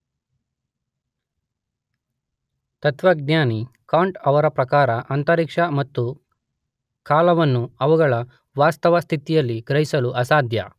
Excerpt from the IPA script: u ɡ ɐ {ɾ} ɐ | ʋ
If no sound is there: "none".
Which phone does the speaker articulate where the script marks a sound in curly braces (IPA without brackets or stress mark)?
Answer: ɭ